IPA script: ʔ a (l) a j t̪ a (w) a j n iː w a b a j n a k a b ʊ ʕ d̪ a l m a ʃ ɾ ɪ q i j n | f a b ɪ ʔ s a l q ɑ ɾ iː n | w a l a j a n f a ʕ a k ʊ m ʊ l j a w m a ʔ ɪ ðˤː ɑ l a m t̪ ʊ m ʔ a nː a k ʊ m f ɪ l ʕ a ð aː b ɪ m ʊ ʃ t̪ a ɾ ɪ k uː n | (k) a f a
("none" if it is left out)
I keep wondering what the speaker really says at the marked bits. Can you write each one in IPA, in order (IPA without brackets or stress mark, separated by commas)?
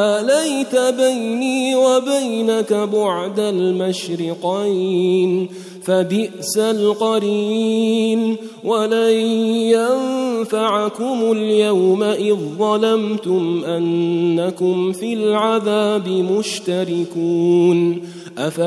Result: l, b, ʔ